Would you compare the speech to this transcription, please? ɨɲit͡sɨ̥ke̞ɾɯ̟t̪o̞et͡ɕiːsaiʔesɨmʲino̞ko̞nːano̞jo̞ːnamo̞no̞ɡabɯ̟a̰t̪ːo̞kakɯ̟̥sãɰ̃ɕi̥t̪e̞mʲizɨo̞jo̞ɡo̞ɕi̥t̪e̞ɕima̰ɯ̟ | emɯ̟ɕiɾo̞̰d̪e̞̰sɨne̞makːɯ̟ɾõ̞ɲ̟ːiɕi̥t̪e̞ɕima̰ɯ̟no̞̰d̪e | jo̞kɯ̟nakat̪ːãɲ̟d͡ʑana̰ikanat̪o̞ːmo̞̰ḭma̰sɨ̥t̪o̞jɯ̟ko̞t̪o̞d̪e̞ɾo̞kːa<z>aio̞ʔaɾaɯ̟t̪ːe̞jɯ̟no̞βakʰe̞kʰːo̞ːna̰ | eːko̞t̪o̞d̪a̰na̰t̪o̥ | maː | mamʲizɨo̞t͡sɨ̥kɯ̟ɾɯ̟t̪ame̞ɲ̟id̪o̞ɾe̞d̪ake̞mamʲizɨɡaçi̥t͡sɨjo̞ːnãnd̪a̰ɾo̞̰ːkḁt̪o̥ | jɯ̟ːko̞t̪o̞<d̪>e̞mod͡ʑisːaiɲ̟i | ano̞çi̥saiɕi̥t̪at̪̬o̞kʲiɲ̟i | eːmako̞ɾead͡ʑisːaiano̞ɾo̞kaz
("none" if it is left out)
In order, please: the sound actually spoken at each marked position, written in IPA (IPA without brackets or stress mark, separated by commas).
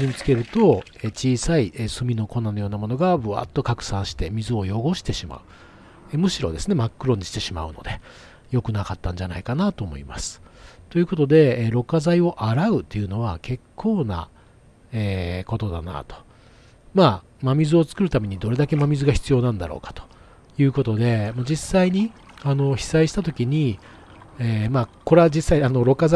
z, d̪